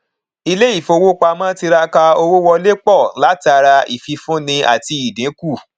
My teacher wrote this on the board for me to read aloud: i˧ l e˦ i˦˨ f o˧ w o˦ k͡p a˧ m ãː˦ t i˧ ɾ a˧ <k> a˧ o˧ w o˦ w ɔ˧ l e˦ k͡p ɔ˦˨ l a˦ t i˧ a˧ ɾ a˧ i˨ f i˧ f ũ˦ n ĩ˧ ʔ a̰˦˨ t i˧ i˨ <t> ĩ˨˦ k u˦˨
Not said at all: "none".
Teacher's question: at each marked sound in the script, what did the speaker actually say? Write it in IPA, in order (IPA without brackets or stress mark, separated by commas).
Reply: k, d